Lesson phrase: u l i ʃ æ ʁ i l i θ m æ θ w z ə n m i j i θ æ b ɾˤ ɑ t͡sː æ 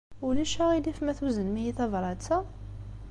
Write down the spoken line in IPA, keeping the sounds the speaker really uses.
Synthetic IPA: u l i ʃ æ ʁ i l i f m æ θ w z ə n m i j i θ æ v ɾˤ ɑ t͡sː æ